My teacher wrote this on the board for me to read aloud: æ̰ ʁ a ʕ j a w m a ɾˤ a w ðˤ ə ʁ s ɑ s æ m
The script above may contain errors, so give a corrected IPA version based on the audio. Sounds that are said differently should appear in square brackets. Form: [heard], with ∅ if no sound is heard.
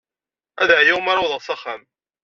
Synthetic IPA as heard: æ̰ [ð] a ʕ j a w m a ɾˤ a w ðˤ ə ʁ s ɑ [χ] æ m